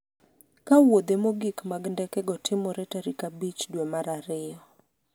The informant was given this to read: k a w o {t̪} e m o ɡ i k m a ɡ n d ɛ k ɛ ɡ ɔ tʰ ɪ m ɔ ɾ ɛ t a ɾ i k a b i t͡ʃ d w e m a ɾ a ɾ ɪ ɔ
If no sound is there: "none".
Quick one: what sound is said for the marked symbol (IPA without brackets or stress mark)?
d̪